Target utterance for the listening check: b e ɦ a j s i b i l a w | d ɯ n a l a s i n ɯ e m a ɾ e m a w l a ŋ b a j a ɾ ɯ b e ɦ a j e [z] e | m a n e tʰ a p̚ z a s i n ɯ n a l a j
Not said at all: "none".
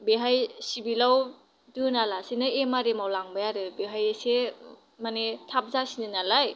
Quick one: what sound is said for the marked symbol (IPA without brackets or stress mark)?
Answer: s